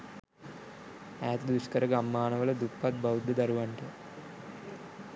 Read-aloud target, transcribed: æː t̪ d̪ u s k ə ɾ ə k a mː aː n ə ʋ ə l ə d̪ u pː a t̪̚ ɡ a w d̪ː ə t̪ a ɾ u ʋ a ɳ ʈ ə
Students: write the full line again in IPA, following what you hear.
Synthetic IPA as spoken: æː t̪ d̪ u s k ə ɾ ə ɡ a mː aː n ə ʋ ə l ə d̪ u pː a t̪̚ b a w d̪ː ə d̪ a ɾ u ʋ a ɳ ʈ ə